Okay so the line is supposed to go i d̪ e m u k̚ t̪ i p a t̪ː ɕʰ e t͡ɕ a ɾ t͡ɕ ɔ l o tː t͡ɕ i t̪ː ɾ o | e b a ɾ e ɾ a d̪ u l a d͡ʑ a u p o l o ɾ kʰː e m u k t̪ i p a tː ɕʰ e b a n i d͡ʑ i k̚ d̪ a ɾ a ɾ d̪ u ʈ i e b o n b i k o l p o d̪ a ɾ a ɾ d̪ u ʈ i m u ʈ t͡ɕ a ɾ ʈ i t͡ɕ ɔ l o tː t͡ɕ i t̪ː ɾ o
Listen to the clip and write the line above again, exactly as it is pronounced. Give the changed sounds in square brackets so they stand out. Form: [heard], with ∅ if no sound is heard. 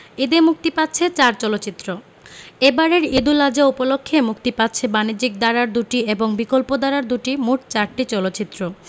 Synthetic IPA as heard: i d̪ e m u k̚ t̪ i p a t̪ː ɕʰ e t͡ɕ a ɾ t͡ɕ ɔ l o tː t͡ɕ i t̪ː ɾ o | e b a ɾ e ɾ [i] d̪ u l a d͡ʑ a u p o l o [∅] kʰː e m u k t̪ i p a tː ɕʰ e b a n i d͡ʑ i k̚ d̪ a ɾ a ɾ d̪ u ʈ i e b o [ŋ] b i k o l p o d̪ a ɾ a ɾ d̪ u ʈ i m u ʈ t͡ɕ a ɾ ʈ i t͡ɕ ɔ l o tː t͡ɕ i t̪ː ɾ o

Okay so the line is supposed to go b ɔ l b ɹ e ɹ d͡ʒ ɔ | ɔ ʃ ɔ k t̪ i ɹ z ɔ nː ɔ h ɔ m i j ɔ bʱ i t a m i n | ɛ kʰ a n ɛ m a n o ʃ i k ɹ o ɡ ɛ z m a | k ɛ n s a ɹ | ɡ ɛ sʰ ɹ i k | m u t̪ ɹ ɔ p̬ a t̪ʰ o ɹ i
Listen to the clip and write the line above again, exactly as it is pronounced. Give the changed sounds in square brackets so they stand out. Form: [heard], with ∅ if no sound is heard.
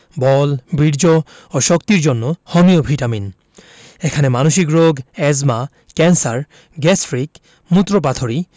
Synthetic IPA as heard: b ɔ l b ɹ [i] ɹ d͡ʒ ɔ | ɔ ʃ ɔ k t̪ i ɹ z ɔ nː ɔ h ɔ m i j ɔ bʱ i t a m i n | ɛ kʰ a n ɛ m a n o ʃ i k ɹ o ɡ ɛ z m a | k ɛ n s a ɹ | ɡ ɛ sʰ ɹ i k | m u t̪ ɹ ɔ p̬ a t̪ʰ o ɹ i

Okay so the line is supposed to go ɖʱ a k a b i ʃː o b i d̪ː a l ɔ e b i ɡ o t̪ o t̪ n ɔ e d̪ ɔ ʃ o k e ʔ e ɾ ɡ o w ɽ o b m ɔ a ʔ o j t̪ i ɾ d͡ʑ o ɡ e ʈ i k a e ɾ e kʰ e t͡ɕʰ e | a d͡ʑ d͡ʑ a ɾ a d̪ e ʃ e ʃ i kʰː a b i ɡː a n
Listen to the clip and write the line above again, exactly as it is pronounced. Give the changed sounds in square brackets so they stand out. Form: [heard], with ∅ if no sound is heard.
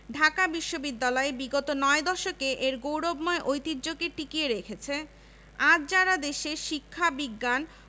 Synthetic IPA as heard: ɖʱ a k a b i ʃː o b i d̪ː a l ɔ e b i ɡ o t̪ o [∅] n ɔ e d̪ ɔ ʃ o k e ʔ e ɾ ɡ o w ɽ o b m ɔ [e] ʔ o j t̪ i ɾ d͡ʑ o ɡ e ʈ i k [i] e ɾ e kʰ e t͡ɕʰ e | a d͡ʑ d͡ʑ a ɾ a d̪ e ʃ e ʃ i kʰː a b i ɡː a n

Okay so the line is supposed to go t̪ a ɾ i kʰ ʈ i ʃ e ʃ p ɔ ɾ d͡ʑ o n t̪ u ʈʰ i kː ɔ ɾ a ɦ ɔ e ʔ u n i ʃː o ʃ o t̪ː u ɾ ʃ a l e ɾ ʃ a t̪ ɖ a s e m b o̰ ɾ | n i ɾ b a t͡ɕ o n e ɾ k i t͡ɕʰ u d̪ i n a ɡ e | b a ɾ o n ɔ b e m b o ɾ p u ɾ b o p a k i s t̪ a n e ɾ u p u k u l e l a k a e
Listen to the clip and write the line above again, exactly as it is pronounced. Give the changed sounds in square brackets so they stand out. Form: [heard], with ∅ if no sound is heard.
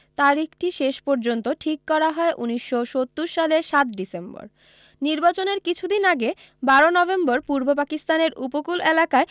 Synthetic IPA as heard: t̪ a ɾ i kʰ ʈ i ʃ e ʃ p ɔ ɾ d͡ʑ o n t̪ [o] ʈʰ i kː ɔ ɾ a ɦ ɔ e ʔ u n i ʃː o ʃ o t̪ː u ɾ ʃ a l e ɾ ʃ a t̪ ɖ [i] s e m b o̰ ɾ | n i ɾ b a t͡ɕ o n e ɾ k i t͡ɕʰ u d̪ i n a ɡ e | b a ɾ o n ɔ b e m b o ɾ p u ɾ b o p a k i s t̪ a n e ɾ u p [o] k u l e l a k a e

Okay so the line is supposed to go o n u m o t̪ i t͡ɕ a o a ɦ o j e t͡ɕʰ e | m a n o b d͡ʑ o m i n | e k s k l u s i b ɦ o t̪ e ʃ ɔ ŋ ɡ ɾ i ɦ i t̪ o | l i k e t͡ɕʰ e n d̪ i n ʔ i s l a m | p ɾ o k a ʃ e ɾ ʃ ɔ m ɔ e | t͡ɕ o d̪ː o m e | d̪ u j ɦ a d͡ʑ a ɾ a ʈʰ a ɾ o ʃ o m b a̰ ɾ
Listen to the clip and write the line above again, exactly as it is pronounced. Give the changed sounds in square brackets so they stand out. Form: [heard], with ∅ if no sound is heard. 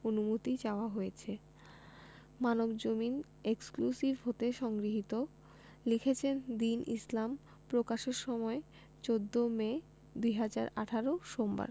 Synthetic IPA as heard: o n u m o t̪ i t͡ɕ a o a ɦ o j e t͡ɕʰ e | m a n o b d͡ʑ o m i n | e k s k l u s i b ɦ o t̪ e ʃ ɔ ŋ ɡ ɾ i ɦ i t̪ o | l i [kʰ] e t͡ɕʰ e n d̪ i n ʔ i s l a m | p ɾ o k a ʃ e ɾ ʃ ɔ m ɔ e | t͡ɕ o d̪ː o m e | d̪ u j ɦ a d͡ʑ a ɾ a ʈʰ a ɾ o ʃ o m b a̰ ɾ

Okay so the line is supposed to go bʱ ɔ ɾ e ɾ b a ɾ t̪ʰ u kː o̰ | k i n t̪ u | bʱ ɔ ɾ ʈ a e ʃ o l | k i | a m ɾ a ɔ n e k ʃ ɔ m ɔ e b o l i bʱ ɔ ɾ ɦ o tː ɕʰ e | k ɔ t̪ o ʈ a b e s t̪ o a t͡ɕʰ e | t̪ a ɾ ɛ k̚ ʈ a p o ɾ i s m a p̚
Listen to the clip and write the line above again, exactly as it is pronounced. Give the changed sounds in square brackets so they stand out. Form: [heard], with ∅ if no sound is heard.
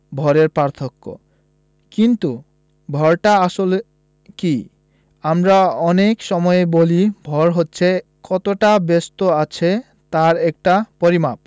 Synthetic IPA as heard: bʱ ɔ ɾ e ɾ [p] a ɾ t̪ʰ [o] kː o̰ | k i n t̪ u | bʱ ɔ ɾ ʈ a [a] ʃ o l | k i | a m ɾ a ɔ n e k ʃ ɔ m ɔ e b o l i bʱ ɔ ɾ ɦ o tː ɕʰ e | k ɔ t̪ o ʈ a b e s t̪ o a t͡ɕʰ e | t̪ a ɾ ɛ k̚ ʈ a p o ɾ i [∅] m a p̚

